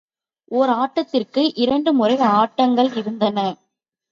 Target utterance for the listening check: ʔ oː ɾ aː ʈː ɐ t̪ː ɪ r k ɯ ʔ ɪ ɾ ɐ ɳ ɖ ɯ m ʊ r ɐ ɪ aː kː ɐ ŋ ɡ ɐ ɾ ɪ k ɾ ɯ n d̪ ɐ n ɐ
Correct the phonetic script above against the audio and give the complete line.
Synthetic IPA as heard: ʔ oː ɾ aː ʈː ɐ t̪ː ɪ r k ɯ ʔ ɪ ɾ ɐ ɳ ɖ ɯ m ʊ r ɐ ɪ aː ʈː ɐ ŋ ɡ ɐ ɭ ɪ ɾ ɯ n d̪ ɐ n ɐ

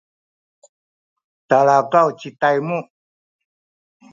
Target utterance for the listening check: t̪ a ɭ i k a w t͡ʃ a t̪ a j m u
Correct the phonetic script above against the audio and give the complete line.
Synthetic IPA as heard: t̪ a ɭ a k a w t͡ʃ i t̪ a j m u

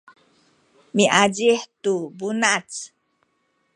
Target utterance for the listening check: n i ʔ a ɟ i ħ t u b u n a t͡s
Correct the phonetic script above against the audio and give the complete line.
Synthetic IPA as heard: m i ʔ a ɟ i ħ t u b u n a t͡s

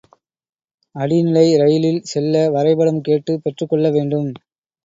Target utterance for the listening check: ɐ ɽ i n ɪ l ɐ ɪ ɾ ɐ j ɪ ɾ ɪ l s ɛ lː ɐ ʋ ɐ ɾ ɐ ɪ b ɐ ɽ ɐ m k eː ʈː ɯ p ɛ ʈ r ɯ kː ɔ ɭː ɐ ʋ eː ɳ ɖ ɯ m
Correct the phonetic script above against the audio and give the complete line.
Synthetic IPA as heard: ɐ ɽ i n ɪ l ɐ ɪ ɾ ɐ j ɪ l ɪ l s ɛ lː ɐ ʋ ɐ ɾ ɐ ɪ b ɐ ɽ ɐ m k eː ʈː ɯ p ɛ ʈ r ɯ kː ɔ ɭː ɐ ʋ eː ɳ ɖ ɯ m

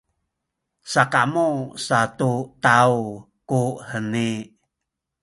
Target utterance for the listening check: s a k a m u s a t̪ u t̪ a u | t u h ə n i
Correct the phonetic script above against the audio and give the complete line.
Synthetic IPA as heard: s a k a m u s a t̪ u t̪ a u | k u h ə n i

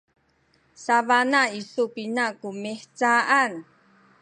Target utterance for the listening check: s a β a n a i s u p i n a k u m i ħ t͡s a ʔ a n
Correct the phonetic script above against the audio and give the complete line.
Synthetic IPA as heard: s a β a n a i s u p i n a k u m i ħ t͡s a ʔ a n

